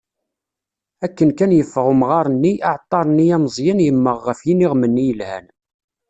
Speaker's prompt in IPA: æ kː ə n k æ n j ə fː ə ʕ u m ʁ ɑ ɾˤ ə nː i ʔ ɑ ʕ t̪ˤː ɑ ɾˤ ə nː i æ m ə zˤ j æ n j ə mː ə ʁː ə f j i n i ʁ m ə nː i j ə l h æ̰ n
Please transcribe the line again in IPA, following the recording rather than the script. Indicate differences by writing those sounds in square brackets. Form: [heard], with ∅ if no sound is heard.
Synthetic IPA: æ kː ə n k æ n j ə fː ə [ʁ] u m ʁ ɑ ɾˤ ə nː i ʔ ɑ ʕ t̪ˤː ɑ ɾˤ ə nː i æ m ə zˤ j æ n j ə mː ə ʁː ə f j i n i ʁ m ə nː i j ə l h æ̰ n